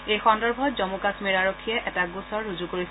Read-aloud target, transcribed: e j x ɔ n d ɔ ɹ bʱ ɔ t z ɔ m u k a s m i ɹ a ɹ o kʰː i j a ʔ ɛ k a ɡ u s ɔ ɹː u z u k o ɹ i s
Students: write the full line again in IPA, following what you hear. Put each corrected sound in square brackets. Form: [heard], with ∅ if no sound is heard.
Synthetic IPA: e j x ɔ n d ɔ ɹ bʱ ɔ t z ɔ m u k a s m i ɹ a ɹ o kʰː i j [ɛ] ʔ ɛ [t] a ɡ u s ɔ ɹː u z u k o ɹ i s